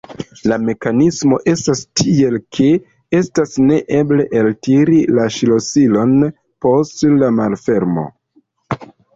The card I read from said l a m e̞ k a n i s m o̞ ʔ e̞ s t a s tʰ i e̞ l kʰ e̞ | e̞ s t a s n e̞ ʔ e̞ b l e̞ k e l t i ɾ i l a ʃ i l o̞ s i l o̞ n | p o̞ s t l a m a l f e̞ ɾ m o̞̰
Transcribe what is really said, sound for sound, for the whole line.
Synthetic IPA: l a m e̞ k a n i s m o̞ ʔ e̞ s t a s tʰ i e̞ l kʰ e̞ | e̞ s t a s n e̞ ʔ e̞ b l e̞ ʔ e l t i ɾ i l a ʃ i l o̞ s i l o̞ n | p o̞ s t l a m a l f e̞ ɾ m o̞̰